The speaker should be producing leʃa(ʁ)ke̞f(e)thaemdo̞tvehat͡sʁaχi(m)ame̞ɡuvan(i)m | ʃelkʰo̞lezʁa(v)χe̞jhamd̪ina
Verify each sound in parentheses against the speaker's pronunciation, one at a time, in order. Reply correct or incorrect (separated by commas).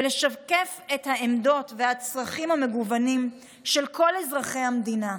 incorrect, correct, correct, correct, incorrect